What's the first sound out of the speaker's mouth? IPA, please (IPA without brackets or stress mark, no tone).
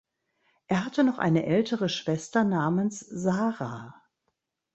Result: ʔ